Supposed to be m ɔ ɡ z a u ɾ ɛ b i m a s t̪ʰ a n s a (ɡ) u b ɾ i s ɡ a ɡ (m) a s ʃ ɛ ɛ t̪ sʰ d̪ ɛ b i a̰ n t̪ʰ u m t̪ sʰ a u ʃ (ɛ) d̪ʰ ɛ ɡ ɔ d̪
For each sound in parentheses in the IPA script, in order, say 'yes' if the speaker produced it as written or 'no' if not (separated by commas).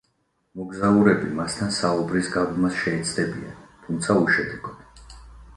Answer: no, yes, yes